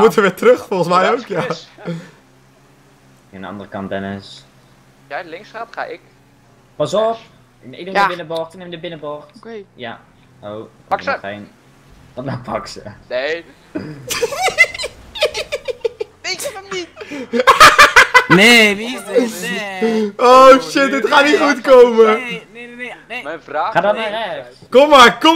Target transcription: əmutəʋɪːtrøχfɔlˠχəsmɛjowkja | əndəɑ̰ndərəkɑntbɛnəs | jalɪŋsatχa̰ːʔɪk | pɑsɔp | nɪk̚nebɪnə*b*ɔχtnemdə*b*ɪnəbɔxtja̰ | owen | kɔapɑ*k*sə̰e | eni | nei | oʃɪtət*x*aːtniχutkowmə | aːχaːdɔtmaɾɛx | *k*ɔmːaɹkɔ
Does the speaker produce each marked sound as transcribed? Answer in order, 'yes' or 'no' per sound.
yes, yes, yes, no, yes

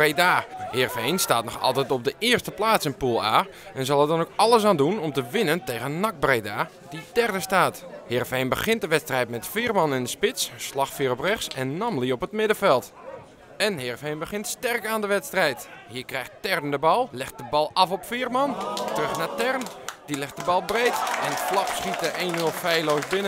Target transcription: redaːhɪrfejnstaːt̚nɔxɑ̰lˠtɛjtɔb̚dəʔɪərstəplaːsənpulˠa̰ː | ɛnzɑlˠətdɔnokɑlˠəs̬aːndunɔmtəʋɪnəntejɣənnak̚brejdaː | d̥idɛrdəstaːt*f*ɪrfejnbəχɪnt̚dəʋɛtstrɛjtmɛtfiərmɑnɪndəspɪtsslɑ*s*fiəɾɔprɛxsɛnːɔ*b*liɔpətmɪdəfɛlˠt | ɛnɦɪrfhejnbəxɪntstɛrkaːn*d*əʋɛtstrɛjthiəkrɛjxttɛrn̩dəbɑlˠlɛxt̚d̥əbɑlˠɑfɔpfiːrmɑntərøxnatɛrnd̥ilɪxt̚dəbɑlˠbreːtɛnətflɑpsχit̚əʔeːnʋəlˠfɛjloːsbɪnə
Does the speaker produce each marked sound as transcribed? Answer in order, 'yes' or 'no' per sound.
no, no, no, yes

